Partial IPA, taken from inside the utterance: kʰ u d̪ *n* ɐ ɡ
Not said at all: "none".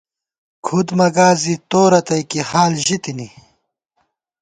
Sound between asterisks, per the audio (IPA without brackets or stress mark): m